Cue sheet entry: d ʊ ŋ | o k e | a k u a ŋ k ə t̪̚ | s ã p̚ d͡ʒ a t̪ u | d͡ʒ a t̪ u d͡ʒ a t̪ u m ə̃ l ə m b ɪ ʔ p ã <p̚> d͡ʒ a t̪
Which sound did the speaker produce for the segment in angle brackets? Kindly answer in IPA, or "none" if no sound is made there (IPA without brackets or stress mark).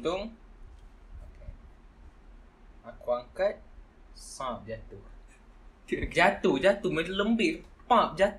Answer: p̚